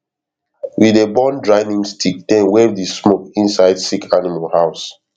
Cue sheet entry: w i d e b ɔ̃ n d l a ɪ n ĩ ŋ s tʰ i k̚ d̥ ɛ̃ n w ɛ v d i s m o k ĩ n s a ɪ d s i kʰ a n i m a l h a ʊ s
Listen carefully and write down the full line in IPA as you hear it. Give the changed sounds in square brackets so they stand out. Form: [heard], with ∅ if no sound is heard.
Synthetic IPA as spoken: w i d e b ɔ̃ n d [ɹ] a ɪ n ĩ ŋ s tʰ i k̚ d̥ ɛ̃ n w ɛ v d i s m o k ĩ n s a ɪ d s i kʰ a n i m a l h a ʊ s